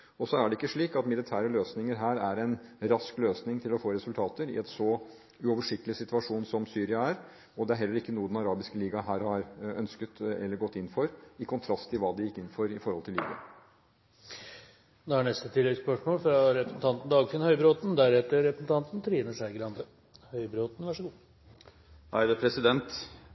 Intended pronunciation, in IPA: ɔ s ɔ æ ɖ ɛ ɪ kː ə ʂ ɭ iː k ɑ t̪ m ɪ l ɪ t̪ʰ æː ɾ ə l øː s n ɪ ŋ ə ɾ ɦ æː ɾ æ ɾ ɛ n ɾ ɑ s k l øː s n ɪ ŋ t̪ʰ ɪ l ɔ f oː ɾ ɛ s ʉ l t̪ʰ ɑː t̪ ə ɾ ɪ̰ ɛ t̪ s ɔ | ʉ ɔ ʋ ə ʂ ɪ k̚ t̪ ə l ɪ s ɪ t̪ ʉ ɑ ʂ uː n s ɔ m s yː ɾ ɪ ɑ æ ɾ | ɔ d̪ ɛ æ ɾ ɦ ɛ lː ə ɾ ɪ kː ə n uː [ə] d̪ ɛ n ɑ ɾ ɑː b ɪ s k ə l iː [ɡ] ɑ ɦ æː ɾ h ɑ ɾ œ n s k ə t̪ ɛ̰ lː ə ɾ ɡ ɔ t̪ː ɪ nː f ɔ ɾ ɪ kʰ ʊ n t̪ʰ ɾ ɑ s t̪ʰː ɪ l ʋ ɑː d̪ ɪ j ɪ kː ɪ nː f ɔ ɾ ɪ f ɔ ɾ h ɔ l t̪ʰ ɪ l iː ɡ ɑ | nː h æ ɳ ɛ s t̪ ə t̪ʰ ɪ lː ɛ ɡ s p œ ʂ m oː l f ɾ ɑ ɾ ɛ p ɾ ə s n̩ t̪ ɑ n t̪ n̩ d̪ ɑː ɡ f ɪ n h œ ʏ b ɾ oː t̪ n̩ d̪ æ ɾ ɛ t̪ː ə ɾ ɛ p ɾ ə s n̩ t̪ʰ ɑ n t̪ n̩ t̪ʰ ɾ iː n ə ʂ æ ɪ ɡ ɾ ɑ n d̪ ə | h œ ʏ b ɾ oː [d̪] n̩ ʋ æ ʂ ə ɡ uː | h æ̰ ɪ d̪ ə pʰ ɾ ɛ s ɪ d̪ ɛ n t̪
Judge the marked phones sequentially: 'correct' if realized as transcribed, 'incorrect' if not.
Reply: correct, correct, incorrect: t̪

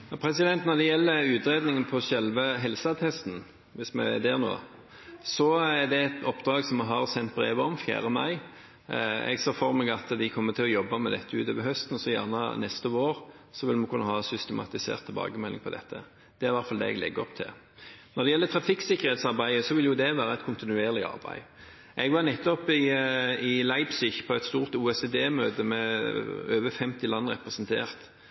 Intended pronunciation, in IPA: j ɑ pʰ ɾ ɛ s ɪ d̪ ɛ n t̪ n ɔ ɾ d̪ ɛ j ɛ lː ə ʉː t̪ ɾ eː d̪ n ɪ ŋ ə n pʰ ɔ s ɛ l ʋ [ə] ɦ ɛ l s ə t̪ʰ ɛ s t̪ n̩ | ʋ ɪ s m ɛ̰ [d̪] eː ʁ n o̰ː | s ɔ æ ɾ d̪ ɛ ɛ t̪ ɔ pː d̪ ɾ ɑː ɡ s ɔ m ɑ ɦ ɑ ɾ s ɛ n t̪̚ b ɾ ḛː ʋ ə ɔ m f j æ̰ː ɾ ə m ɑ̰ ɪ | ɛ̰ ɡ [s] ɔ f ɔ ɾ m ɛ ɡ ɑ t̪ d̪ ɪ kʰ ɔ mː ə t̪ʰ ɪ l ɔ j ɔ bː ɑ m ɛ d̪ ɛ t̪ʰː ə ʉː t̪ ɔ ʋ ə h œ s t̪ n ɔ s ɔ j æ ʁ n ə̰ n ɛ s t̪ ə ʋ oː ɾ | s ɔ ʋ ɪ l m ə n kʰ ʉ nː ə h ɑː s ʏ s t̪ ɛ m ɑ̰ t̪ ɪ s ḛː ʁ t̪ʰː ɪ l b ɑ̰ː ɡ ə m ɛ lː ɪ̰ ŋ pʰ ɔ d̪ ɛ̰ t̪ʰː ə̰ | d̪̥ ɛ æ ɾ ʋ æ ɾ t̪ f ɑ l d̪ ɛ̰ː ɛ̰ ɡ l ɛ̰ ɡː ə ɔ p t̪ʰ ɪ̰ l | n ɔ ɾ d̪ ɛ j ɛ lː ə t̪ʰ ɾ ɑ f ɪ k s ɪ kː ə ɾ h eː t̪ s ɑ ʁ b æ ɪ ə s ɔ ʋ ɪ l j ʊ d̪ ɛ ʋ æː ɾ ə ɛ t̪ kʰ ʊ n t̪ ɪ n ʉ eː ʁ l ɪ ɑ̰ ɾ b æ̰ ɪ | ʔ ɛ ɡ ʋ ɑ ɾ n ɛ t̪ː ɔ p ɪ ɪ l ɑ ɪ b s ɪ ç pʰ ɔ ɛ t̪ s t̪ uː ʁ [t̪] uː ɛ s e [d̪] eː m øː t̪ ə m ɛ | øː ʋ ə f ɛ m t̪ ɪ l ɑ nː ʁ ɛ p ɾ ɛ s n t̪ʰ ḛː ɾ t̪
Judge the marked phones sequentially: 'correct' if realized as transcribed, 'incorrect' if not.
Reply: correct, correct, correct, correct, correct

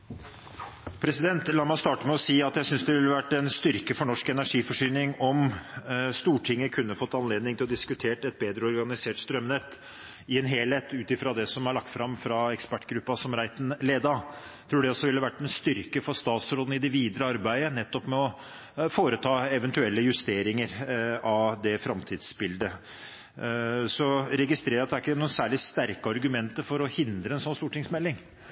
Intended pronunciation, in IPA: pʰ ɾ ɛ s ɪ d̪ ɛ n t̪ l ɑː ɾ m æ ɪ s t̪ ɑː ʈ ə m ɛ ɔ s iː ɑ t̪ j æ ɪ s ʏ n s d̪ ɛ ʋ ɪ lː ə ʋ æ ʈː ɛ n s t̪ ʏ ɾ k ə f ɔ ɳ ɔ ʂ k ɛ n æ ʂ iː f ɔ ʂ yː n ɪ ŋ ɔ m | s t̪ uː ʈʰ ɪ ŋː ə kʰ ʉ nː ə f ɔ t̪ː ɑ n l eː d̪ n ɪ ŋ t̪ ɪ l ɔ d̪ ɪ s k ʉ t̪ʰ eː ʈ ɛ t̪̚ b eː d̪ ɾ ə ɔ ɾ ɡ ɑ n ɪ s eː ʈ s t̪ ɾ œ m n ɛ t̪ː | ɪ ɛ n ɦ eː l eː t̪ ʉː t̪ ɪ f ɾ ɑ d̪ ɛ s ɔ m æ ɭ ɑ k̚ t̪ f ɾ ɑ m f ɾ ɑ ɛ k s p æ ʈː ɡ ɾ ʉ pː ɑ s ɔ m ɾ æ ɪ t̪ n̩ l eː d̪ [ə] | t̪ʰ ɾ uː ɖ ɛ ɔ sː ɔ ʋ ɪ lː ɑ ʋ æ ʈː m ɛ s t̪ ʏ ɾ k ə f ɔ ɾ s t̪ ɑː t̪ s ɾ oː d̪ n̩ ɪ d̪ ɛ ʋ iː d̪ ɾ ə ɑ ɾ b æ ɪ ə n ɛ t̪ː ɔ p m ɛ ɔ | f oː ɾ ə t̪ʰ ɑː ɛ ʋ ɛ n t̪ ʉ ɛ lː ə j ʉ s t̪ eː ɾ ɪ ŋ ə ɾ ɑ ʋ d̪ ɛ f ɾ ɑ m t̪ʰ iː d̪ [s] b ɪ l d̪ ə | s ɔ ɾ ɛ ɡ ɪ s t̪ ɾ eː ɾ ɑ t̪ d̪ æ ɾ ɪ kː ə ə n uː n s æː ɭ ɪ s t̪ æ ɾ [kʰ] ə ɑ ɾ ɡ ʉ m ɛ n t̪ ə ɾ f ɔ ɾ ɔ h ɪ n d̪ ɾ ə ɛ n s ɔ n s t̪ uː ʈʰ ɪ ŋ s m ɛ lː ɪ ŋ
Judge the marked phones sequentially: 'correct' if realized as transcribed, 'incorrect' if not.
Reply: incorrect: ɑ, correct, incorrect: k

